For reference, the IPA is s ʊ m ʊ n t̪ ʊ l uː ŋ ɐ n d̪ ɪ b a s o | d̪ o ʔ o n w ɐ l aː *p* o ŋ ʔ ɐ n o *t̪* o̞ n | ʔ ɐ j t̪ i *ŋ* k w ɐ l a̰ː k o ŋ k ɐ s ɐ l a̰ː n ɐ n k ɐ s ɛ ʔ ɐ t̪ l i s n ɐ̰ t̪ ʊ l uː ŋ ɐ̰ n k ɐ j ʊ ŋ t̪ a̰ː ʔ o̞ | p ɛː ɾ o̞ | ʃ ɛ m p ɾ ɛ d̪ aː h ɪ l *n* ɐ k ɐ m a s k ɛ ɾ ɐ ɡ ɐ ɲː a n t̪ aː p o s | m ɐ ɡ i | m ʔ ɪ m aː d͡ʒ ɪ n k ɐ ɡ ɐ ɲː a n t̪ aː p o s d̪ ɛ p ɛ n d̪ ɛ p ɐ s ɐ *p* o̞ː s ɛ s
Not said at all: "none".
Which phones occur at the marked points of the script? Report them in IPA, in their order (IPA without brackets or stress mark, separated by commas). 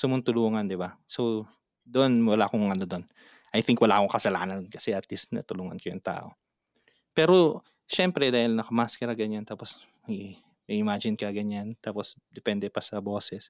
k, d̪, ŋ, n, b